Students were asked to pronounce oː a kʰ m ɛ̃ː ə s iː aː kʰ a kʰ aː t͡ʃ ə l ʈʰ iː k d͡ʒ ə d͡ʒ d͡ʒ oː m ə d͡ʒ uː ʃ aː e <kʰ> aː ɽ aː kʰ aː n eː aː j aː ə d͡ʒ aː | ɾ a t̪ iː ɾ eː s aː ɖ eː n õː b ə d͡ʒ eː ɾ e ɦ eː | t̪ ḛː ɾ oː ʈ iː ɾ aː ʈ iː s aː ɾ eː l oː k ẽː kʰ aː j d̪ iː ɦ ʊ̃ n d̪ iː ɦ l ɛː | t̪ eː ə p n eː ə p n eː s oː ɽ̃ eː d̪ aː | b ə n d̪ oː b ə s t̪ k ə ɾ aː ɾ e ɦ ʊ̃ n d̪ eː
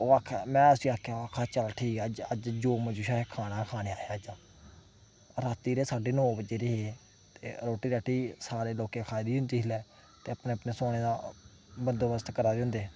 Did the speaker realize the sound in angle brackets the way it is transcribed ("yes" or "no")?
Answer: yes